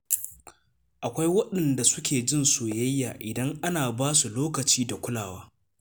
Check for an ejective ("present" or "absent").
absent